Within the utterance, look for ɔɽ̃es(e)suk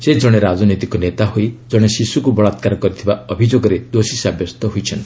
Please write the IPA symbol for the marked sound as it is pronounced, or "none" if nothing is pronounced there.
i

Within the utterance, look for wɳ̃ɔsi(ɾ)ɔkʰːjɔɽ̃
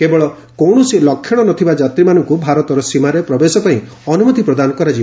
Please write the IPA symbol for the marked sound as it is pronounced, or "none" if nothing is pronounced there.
l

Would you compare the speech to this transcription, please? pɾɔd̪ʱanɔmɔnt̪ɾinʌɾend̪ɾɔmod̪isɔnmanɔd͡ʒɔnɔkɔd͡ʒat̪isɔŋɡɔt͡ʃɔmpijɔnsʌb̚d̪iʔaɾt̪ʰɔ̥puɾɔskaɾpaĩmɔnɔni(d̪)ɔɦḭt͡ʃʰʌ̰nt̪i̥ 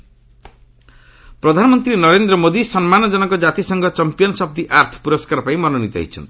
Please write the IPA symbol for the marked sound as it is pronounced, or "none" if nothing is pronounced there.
t̪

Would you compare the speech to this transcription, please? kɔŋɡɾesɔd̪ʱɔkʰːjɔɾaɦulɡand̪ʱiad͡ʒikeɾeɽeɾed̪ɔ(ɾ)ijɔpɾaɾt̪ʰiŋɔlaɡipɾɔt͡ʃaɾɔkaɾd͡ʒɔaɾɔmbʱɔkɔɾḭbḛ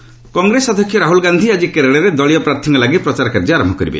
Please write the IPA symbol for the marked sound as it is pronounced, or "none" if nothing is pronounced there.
ɭ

